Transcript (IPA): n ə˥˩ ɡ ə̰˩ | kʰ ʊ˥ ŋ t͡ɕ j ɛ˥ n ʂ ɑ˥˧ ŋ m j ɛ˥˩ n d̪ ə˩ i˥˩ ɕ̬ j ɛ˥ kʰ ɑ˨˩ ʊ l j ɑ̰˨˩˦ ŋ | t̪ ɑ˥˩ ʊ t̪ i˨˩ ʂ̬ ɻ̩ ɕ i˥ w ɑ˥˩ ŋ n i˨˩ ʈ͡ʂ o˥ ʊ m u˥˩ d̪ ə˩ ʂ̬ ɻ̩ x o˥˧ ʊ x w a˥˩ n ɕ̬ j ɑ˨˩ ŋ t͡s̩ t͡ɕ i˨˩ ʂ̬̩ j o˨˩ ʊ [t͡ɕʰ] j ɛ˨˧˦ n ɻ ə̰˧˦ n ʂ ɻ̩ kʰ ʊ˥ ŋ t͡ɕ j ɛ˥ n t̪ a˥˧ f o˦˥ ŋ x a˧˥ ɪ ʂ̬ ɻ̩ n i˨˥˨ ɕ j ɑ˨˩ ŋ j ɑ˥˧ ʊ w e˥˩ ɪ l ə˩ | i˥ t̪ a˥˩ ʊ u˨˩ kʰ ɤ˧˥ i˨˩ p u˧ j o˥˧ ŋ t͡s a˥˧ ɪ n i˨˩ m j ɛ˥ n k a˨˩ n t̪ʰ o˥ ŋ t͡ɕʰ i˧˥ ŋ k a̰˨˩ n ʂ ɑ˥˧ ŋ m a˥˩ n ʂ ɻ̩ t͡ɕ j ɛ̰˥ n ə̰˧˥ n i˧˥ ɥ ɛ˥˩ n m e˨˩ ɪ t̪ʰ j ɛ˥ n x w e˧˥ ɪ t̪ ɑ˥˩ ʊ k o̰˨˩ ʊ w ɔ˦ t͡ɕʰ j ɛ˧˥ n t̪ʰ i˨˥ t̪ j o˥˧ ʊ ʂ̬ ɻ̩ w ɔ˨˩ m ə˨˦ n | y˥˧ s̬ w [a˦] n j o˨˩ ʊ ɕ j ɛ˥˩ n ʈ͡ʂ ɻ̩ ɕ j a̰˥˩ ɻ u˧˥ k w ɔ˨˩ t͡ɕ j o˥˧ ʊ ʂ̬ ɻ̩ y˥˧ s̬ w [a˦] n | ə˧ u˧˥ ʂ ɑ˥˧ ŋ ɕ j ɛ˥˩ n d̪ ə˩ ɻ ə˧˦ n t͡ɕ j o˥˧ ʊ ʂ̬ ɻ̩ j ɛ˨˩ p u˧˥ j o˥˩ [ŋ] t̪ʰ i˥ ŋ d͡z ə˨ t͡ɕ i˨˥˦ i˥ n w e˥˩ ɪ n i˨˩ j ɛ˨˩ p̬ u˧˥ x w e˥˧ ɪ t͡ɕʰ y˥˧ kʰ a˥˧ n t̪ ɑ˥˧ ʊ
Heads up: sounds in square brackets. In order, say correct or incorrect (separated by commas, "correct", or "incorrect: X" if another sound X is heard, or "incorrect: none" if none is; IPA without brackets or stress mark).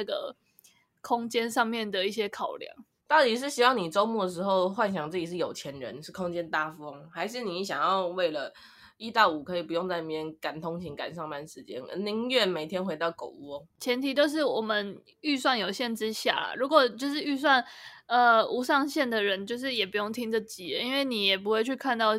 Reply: correct, incorrect: a˥˩, incorrect: a˥˩, correct